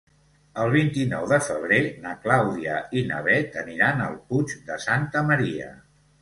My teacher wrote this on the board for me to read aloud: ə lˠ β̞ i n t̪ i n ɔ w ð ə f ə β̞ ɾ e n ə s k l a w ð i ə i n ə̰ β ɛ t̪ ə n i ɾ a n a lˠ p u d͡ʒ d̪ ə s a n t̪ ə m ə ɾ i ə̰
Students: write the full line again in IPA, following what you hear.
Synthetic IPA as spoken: ə lˠ β̞ i n t̪ i n ɔ w ð ə f ə β̞ ɾ e n ə k l a w ð i ə i n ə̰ β ɛ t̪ ə n i ɾ a n ə lˠ p u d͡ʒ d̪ ə s a n t̪ ə m ə ɾ i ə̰